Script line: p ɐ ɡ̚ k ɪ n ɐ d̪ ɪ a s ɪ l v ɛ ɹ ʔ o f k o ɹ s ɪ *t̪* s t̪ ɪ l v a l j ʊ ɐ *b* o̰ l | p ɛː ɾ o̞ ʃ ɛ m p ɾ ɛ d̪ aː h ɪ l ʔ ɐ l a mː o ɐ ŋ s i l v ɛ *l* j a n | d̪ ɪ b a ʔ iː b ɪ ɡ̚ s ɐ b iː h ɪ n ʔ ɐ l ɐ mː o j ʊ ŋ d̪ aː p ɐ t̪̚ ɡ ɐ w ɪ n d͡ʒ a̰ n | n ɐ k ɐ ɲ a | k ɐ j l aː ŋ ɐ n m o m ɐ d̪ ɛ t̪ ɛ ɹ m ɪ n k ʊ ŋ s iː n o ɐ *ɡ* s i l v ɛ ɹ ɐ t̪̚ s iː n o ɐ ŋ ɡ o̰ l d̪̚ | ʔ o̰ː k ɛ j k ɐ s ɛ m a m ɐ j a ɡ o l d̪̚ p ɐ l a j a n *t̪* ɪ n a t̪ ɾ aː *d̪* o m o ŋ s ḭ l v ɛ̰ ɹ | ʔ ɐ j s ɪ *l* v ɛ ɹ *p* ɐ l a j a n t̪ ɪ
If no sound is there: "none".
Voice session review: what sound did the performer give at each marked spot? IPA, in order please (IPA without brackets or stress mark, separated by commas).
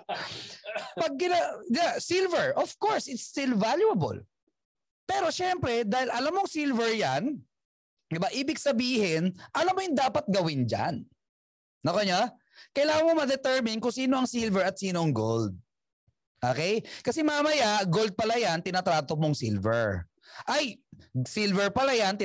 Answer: t̪, b, ɹ, ŋ, t̪, t̪, l, p